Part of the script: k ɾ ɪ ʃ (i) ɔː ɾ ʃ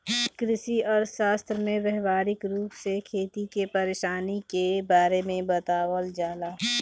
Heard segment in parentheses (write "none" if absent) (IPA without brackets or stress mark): i